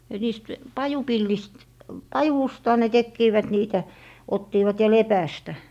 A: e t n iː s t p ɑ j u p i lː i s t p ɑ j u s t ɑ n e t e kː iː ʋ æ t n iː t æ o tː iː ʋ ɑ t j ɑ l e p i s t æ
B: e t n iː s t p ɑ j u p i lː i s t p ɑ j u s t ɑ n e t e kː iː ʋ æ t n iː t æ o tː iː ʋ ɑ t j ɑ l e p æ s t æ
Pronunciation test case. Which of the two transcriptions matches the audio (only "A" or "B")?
B